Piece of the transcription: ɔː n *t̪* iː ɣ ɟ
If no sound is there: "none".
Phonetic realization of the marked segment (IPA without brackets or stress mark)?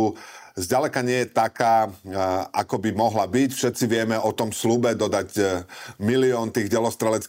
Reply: t̪